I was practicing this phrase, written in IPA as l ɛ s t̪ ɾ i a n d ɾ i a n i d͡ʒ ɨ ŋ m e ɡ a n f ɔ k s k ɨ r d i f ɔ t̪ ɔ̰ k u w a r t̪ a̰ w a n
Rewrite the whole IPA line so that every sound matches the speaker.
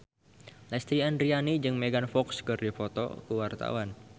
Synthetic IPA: l ɛ s t̪ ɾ i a n d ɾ i a n i d͡ʒ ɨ ŋ m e ɡ a n f ɔ k s k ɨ r d i f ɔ t̪ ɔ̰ k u w a r t̪ a̰ w a n